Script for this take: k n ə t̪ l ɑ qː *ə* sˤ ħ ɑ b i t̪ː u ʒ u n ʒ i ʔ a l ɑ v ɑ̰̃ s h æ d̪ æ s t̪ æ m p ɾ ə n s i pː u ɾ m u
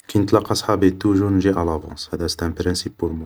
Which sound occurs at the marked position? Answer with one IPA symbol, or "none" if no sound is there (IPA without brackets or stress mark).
ɑ